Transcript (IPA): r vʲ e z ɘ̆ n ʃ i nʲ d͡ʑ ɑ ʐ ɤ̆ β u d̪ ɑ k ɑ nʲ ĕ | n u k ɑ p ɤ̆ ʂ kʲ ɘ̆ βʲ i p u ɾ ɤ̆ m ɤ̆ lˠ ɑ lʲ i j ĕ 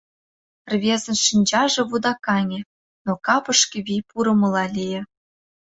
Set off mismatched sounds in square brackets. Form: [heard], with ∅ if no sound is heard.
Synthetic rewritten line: r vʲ e z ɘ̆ n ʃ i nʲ d͡ʑ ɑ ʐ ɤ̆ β u d̪ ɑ k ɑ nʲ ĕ | n [o] k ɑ p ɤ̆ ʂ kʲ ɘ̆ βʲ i p u ɾ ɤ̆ m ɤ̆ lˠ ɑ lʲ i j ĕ